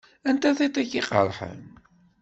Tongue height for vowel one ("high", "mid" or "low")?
low